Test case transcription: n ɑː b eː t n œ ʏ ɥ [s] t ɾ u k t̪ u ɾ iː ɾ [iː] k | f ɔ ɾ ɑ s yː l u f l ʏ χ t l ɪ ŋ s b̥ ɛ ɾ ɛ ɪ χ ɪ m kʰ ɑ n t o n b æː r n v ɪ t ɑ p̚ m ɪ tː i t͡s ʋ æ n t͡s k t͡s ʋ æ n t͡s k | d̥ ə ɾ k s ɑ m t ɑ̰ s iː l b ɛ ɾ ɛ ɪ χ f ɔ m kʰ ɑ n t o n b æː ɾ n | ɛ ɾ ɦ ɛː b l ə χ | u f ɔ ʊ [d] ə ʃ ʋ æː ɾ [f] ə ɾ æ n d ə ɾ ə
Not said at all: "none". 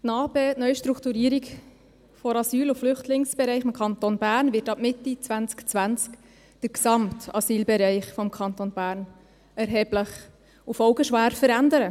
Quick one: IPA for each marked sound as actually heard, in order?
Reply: ʃ, i, ɡ, f

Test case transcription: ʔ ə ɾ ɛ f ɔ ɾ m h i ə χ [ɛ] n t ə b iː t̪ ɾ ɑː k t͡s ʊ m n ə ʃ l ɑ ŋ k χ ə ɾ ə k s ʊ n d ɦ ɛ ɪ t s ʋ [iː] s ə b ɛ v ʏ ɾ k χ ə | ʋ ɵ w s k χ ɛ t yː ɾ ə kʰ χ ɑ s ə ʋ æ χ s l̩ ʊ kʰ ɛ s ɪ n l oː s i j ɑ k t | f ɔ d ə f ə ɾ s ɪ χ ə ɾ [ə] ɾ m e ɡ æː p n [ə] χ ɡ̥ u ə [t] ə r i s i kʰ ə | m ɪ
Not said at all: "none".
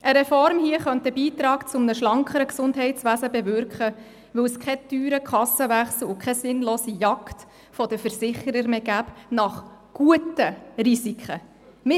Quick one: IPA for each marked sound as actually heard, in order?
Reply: œ, æː, ə, ɑ, t

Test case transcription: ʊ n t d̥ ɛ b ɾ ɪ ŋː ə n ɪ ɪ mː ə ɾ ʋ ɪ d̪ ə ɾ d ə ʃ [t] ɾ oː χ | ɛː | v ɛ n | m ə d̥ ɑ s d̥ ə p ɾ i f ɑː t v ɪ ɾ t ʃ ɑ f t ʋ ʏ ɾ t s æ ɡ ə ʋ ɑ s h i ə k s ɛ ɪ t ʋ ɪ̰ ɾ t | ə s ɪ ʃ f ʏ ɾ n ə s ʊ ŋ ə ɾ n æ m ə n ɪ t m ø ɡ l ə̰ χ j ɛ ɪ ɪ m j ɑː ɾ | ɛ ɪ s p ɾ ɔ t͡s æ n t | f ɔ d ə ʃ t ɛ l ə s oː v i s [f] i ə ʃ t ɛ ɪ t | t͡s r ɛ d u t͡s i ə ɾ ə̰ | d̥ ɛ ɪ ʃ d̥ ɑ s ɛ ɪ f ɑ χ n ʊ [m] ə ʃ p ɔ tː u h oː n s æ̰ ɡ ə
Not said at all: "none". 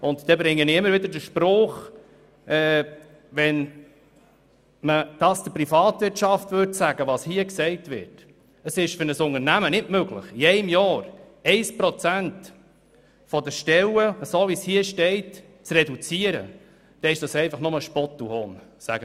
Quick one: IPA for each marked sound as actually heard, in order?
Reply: p, h, m

